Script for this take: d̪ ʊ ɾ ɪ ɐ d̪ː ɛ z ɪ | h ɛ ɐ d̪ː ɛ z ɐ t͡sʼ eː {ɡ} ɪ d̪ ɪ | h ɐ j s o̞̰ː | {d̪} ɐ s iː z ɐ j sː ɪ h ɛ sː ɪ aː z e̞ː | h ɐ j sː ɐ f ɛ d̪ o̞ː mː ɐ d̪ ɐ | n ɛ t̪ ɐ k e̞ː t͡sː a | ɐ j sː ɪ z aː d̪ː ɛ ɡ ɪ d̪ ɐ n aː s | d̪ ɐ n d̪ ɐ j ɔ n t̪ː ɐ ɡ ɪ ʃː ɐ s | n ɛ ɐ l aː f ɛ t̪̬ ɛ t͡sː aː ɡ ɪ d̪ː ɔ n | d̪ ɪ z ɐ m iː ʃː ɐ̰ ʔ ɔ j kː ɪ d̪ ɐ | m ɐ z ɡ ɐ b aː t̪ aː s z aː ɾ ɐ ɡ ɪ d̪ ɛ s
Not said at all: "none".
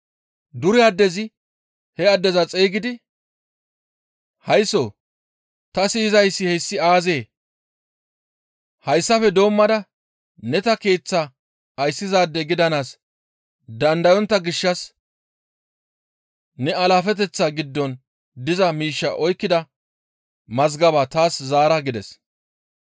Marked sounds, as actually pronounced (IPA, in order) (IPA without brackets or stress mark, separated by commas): ɡ, t̪